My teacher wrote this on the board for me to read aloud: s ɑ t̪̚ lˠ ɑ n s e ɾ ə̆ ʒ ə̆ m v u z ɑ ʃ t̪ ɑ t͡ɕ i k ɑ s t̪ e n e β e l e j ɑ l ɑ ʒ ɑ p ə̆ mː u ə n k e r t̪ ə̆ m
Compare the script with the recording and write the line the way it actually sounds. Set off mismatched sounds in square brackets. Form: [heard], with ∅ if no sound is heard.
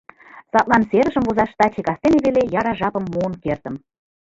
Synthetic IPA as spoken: s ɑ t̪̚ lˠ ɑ n s e ɾ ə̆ ʒ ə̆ m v u z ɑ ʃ t̪ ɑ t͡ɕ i k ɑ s t̪ e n e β e l e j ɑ [ɾ] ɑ ʒ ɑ p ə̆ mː u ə n k e r t̪ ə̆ m